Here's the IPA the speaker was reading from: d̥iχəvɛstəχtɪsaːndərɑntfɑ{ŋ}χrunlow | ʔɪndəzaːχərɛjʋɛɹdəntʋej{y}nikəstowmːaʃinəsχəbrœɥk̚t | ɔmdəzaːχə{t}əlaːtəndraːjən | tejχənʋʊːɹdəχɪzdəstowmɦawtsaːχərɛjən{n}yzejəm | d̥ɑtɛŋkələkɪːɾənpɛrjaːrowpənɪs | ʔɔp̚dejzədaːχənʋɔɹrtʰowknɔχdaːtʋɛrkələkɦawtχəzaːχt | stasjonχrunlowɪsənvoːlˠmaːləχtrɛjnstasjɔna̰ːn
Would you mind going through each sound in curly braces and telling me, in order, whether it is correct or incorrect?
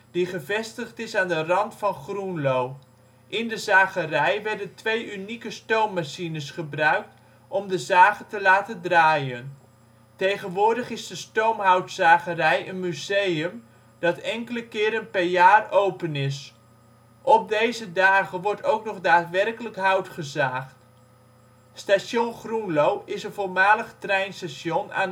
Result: incorrect: n, correct, correct, incorrect: m

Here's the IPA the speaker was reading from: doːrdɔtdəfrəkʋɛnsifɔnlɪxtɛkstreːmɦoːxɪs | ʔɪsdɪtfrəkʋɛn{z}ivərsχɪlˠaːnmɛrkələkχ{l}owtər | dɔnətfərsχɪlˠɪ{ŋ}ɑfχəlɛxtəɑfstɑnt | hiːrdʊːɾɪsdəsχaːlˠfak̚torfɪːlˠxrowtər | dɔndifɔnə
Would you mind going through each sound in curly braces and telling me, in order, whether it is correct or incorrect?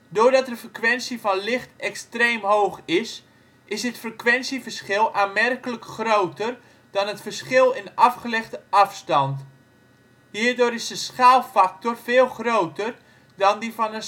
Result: incorrect: s, incorrect: r, incorrect: n

